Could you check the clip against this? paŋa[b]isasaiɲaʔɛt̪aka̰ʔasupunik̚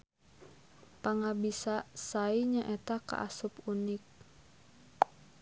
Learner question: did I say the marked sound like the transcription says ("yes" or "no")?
yes